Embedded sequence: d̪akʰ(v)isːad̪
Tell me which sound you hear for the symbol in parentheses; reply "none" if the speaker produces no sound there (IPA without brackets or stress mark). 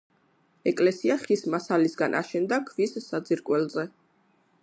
v